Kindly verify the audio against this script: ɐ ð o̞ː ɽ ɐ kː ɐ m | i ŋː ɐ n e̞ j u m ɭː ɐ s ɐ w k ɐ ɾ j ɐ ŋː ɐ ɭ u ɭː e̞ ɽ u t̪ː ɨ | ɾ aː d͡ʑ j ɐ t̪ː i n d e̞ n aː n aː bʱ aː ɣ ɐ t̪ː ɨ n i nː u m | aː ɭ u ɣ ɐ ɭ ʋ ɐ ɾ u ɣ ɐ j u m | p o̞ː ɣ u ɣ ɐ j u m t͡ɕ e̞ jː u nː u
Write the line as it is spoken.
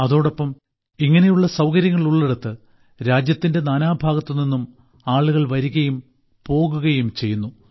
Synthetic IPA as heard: ɐ ð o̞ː ɽ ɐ pː ɐ m | i ŋː ɐ n e̞ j u ɭː ɐ s ɐ w k ɐ ɾ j ɐ ŋː ɐ ɭ u ɭː e̞ ɽ u t̪ː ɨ | ɾ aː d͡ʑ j ɐ t̪ː i n d e̞ n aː n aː bʱ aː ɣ ɐ t̪ː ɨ n i nː u m | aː ɭ u ɣ ɐ ɭ ʋ ɐ ɾ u ɣ ɐ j u m | p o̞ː ɣ u ɣ ɐ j u m t͡ɕ e̞ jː u nː u